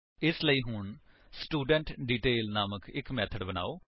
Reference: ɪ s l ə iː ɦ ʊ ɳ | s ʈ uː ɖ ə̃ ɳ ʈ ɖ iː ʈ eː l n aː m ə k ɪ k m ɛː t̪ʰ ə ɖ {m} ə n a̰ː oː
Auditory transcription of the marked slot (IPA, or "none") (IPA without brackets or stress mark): b